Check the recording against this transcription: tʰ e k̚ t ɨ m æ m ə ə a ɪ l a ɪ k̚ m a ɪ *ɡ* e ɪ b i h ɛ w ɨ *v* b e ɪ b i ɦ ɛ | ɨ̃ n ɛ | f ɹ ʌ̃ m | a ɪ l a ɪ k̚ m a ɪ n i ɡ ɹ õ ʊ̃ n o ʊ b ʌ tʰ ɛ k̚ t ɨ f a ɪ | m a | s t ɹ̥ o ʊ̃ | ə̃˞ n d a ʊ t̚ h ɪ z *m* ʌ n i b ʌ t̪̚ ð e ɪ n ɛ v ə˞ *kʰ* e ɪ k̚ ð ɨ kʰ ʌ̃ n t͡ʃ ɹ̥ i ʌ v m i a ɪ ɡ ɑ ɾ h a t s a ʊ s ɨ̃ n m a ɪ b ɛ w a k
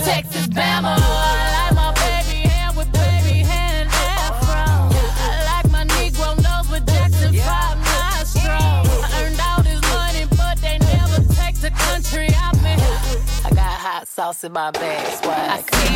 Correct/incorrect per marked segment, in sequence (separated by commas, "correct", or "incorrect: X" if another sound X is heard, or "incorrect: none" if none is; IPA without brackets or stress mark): incorrect: b, incorrect: ð, correct, incorrect: tʰ